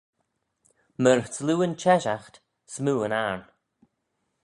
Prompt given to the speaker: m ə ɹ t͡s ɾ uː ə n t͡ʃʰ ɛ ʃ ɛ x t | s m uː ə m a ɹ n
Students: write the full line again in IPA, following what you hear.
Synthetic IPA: m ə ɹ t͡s l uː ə n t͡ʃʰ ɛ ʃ a x t | s m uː ə n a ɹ n